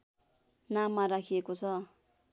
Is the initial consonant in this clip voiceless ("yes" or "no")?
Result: no